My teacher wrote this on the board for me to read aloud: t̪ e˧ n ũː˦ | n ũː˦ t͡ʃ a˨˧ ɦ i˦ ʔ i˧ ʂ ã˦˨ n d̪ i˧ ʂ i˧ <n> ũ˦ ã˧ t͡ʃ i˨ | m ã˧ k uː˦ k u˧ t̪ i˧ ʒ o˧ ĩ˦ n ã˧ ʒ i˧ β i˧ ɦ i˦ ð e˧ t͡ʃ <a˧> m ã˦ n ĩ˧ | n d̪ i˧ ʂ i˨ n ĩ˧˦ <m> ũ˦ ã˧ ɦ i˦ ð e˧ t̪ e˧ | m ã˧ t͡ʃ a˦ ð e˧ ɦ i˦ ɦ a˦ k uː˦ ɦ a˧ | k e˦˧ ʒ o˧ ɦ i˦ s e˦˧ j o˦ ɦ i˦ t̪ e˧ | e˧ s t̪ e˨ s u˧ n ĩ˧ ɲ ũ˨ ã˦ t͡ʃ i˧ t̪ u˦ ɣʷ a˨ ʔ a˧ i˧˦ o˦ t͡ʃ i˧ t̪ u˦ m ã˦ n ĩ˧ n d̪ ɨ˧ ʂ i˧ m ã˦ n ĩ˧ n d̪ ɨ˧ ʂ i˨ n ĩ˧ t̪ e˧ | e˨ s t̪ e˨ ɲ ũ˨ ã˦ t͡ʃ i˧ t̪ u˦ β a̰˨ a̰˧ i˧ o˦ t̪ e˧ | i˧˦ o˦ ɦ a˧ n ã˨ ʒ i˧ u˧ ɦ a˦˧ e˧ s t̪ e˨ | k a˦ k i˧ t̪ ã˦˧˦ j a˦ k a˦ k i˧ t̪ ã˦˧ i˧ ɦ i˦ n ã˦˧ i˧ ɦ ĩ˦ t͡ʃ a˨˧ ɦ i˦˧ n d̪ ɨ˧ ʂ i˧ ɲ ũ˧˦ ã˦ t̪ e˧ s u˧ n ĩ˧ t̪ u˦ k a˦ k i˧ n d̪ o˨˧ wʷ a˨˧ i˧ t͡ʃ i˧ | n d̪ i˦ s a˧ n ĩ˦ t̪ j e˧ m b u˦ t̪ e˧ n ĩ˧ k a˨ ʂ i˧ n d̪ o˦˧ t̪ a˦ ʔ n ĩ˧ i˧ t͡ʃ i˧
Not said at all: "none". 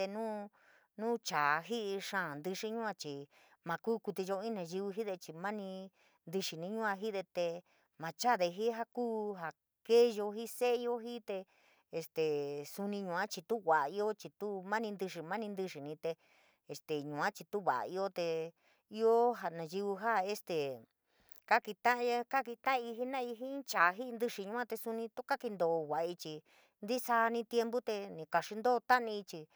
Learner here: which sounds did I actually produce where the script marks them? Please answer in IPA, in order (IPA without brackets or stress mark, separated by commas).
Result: ɲ, i˧, ɲ